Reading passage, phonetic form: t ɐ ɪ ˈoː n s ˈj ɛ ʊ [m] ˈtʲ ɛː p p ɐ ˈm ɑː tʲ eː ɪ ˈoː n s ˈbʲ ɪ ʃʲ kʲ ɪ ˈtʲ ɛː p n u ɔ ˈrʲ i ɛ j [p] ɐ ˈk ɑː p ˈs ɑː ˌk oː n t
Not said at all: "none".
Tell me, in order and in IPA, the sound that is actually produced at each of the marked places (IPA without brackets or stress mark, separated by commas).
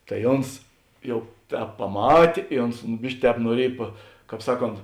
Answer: none, p